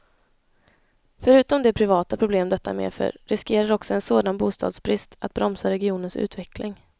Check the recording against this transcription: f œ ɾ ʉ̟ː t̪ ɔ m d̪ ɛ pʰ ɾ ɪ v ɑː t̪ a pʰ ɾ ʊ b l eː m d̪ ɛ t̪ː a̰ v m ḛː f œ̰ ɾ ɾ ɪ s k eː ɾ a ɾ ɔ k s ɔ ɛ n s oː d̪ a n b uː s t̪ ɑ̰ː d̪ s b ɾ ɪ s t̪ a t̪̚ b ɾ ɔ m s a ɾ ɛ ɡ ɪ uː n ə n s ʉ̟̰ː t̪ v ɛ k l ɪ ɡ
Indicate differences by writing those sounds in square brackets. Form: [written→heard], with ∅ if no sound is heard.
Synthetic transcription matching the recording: f œ ɾ ʉ̟ː t̪ ɔ m d̪ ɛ pʰ ɾ ɪ v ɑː t̪ a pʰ ɾ ʊ b l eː m d̪ ɛ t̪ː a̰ [v→∅] m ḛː f œ̰ ɾ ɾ ɪ s k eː ɾ a ɾ ɔ k s ɔ ɛ n s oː d̪ a n b uː s t̪ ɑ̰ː d̪ s b ɾ ɪ s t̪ a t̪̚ b ɾ ɔ m s a ɾ ɛ ɡ ɪ uː n ə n s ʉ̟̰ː t̪ v ɛ k l ɪ [ɡ→ŋ]